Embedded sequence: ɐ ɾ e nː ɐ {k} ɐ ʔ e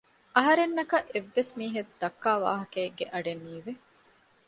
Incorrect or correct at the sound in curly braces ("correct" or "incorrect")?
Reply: correct